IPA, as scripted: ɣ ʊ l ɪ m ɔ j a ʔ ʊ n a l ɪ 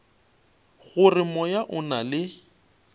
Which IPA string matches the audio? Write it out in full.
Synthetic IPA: ɣ ʊ r ɪ m ɔ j a ʔ ʊ n a l ɪ